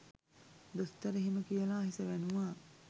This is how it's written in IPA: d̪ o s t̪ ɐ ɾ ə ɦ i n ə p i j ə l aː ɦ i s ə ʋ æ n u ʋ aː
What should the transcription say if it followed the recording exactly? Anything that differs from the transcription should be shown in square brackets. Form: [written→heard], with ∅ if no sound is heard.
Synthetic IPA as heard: d̪ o s t̪ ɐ ɾ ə ɦ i [n→m] ə [p→k] i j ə l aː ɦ i s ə ʋ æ n u ʋ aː